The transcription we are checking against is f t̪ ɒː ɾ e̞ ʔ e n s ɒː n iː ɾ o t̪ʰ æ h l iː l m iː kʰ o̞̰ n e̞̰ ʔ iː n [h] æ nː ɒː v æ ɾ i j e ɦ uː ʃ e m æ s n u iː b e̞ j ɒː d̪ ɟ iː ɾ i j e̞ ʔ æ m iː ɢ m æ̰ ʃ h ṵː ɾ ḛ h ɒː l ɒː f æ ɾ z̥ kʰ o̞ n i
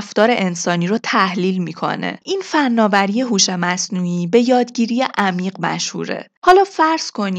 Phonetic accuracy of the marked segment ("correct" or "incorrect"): incorrect